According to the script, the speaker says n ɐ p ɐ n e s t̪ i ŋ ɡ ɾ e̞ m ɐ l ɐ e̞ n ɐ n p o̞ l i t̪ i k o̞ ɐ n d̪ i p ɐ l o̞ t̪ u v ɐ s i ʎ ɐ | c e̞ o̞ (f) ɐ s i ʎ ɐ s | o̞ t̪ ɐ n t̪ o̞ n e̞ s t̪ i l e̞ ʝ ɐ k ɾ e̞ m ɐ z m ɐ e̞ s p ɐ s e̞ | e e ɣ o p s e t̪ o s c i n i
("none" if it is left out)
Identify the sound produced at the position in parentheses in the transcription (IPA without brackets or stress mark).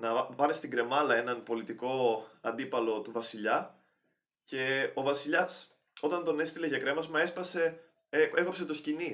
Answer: v